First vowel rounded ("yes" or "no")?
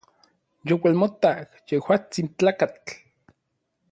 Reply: yes